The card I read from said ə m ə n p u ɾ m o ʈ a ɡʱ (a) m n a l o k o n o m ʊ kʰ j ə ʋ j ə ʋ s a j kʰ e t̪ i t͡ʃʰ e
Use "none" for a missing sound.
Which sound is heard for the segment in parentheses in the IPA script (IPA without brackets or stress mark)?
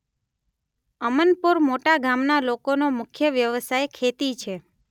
a